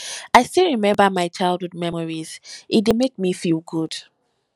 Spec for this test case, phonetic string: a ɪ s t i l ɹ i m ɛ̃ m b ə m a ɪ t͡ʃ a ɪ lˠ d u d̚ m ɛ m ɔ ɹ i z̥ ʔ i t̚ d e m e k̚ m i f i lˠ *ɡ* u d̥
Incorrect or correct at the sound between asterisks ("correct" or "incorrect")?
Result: correct